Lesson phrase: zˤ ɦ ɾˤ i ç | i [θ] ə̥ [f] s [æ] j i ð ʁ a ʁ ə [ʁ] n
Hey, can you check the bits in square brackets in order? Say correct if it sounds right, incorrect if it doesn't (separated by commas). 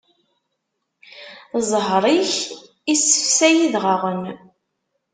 incorrect, correct, correct, incorrect